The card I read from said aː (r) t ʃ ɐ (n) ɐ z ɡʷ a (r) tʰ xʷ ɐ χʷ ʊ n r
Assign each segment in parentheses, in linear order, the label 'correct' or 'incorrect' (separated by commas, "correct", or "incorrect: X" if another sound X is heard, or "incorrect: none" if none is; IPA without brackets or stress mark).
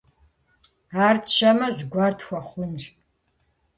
correct, incorrect: m, correct